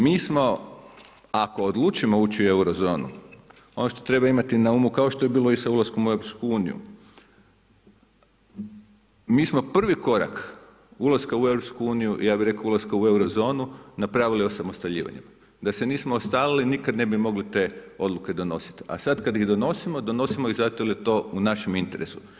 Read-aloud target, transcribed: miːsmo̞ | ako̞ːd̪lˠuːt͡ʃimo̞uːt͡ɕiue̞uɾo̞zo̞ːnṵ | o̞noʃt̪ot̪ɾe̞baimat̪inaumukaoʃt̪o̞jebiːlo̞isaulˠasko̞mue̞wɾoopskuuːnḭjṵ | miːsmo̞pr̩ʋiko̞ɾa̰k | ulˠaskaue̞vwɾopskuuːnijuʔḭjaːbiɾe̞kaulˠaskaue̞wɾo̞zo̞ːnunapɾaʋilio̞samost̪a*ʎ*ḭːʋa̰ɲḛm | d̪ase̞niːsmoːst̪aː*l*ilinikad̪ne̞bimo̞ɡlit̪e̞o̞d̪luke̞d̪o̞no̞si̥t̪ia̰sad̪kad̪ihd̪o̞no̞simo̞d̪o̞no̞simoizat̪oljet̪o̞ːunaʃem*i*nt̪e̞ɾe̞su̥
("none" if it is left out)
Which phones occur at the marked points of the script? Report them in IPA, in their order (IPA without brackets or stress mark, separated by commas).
ʎ, l, i